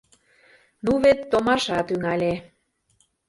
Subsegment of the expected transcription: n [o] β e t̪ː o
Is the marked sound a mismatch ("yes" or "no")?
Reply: yes